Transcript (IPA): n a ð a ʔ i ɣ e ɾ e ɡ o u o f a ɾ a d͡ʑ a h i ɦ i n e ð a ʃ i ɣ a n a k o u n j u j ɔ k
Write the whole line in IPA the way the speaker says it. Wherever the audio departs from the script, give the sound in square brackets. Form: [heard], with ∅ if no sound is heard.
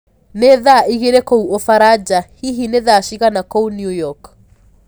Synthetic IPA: n [e] ð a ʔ i ɣ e ɾ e [k] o u o f a ɾ a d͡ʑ a h i ɦ i n e ð a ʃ i ɣ a n a k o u n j u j ɔ k